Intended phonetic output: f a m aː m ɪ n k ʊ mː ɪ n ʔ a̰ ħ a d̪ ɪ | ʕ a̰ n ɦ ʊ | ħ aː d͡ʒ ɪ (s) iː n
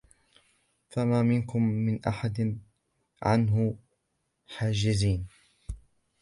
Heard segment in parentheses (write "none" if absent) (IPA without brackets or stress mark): z